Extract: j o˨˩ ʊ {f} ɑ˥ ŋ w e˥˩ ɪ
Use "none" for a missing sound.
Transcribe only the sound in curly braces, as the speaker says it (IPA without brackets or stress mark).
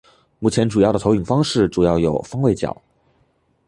f